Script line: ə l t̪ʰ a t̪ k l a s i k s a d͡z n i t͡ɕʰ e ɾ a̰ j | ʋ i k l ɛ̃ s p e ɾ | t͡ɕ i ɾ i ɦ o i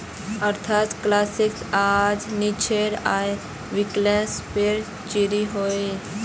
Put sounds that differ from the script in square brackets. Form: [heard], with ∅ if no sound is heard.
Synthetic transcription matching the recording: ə [ɾ] t̪ʰ a t̪ k l a s i k s a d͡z n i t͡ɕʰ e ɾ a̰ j | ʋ i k l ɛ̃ s p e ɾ | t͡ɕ i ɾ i ɦ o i